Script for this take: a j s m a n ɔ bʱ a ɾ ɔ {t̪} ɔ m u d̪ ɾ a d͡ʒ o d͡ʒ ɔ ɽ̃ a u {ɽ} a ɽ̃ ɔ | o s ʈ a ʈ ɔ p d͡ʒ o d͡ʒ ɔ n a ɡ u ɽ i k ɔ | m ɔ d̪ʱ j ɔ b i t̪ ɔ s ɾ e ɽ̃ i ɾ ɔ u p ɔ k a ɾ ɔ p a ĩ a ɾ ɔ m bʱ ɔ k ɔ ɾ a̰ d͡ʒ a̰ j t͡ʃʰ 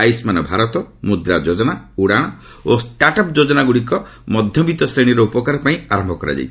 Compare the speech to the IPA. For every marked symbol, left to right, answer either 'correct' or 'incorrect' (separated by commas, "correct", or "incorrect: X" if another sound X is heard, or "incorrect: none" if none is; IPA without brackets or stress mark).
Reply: correct, correct